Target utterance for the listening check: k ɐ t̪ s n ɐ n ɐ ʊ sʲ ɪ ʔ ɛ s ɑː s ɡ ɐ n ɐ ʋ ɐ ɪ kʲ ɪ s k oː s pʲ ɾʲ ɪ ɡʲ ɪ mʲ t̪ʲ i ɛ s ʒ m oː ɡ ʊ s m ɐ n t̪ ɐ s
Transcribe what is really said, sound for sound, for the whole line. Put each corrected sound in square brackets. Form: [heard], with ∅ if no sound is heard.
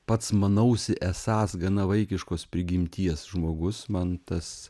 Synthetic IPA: [p] ɐ t̪ s [m] ɐ n ɐ ʊ sʲ ɪ ʔ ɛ s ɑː s ɡ ɐ n ɐ ʋ ɐ ɪ kʲ ɪ [ʃ] k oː s pʲ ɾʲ ɪ ɡʲ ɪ mʲ t̪ʲ i ɛ s ʒ m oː ɡ ʊ s m ɐ n t̪ ɐ s